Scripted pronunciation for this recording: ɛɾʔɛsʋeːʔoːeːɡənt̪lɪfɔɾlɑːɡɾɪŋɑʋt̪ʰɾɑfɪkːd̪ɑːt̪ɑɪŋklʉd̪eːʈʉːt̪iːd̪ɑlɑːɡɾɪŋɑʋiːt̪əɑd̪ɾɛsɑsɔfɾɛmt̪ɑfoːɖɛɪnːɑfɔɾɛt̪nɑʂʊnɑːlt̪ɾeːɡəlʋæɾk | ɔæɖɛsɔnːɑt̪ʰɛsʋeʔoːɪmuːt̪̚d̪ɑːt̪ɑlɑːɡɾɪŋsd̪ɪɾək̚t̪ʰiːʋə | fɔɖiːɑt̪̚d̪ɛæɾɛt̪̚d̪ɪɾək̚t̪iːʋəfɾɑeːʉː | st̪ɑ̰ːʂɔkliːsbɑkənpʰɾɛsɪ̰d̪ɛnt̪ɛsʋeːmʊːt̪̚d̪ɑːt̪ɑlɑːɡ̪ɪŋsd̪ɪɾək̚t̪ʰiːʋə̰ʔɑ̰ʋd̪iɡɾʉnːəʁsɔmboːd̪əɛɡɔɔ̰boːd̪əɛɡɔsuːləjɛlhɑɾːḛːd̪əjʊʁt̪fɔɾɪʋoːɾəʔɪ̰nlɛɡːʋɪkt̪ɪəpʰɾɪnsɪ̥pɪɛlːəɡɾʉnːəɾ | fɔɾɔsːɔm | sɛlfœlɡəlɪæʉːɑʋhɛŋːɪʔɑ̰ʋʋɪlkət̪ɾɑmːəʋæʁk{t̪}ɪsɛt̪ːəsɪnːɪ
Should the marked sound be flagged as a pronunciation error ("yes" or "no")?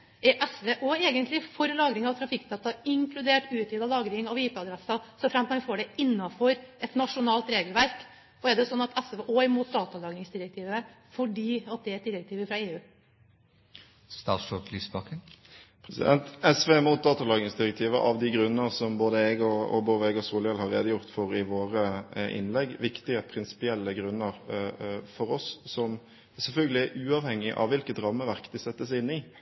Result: yes